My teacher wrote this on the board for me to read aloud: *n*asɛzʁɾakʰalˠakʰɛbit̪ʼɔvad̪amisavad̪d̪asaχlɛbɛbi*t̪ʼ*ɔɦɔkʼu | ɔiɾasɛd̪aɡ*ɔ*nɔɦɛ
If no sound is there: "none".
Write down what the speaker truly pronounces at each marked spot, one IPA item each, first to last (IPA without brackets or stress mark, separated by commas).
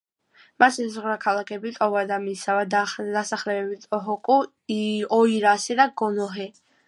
m, t̪ʼ, ɔ